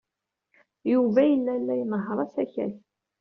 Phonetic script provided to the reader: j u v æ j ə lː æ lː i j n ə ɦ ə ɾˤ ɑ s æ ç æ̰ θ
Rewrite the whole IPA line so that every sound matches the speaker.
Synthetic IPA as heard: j u v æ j ə lː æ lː æ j n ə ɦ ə ɾˤ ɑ s æ ç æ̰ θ